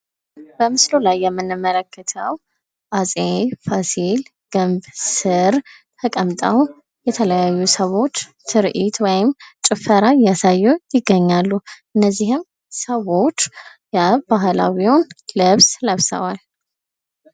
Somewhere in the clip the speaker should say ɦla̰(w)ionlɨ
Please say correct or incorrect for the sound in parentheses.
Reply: correct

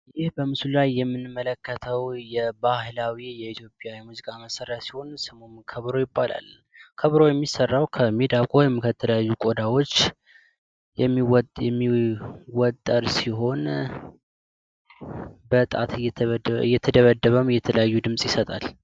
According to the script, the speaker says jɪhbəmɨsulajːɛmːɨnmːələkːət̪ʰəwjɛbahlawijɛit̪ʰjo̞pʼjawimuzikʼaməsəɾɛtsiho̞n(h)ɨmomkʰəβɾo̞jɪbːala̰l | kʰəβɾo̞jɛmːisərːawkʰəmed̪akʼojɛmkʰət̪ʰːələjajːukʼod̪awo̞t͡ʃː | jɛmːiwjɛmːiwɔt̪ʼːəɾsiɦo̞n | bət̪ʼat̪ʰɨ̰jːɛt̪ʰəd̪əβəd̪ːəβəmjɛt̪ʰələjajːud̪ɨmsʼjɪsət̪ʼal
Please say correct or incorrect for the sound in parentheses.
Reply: incorrect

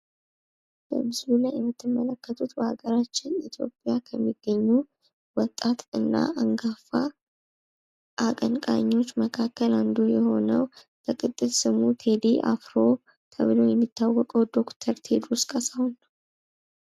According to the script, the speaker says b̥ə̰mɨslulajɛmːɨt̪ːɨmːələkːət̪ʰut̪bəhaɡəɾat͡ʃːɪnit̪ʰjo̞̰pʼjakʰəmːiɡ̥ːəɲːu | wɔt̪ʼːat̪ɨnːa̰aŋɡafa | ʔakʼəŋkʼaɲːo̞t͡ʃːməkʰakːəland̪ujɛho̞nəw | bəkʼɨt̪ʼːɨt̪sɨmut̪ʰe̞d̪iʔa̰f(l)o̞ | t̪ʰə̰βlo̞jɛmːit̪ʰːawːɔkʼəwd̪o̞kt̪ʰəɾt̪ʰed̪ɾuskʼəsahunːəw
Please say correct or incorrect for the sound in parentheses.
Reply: incorrect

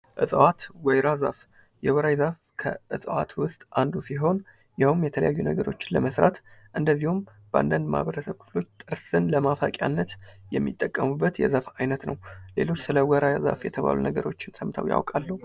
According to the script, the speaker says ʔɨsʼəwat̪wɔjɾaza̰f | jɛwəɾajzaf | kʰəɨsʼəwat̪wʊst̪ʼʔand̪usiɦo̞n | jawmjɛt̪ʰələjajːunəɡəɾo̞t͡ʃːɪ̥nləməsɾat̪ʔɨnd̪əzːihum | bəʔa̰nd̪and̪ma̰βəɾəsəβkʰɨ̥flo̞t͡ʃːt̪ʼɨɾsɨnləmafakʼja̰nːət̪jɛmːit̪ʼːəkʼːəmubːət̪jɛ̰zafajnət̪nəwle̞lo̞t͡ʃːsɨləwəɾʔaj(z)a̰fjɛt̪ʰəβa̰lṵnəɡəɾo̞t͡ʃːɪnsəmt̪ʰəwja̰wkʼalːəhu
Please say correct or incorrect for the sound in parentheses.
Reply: correct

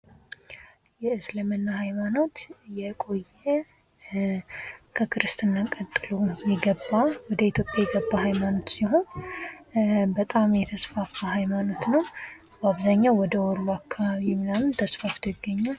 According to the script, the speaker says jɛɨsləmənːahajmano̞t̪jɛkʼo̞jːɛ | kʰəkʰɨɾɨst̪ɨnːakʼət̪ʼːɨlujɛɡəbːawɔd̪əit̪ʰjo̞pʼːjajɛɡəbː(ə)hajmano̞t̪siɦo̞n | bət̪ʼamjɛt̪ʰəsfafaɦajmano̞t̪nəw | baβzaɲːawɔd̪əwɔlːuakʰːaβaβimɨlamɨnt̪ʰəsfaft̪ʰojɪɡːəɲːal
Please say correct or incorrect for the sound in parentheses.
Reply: incorrect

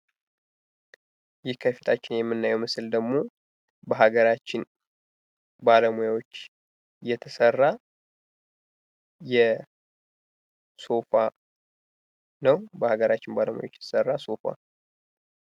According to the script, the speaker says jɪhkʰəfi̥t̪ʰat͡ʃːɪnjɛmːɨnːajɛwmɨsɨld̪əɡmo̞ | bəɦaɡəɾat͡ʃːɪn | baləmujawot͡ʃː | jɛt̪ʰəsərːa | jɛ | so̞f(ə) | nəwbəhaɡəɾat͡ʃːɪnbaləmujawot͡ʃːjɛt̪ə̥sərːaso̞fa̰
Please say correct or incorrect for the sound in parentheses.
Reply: incorrect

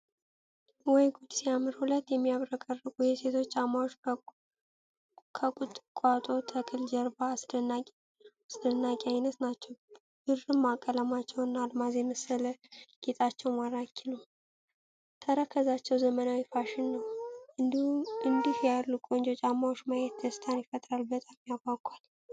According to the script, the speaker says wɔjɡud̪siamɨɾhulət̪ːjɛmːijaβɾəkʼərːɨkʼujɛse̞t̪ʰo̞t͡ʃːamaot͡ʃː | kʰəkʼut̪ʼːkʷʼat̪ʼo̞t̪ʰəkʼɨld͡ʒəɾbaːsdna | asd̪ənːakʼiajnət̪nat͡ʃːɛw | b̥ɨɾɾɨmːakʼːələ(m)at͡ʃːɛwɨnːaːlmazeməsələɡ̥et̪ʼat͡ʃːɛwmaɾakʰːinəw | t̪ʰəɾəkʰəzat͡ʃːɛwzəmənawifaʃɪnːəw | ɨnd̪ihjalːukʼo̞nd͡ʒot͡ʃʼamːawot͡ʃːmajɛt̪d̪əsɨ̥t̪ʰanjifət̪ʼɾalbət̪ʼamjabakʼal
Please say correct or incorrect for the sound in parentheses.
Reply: correct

